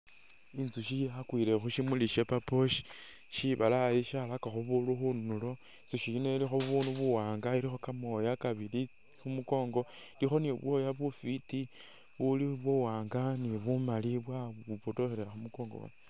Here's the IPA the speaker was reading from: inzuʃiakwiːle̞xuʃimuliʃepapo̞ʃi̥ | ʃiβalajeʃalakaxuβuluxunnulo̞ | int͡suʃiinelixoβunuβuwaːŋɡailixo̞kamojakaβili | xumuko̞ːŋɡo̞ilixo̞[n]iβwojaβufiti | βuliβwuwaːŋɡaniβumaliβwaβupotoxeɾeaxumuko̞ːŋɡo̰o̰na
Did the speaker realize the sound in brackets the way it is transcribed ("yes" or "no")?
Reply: yes